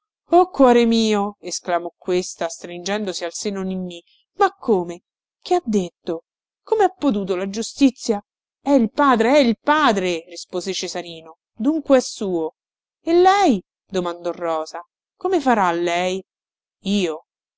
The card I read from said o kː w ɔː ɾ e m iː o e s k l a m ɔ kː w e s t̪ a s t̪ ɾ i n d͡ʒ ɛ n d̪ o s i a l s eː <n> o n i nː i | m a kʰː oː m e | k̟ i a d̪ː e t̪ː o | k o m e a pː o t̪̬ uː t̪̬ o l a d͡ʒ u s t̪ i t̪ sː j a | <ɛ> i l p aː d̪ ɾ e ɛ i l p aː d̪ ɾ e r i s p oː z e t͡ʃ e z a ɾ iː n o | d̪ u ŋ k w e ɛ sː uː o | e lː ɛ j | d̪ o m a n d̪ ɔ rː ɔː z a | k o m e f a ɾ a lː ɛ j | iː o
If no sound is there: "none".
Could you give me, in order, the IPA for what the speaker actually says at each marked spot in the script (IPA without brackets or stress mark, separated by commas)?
n, ɛ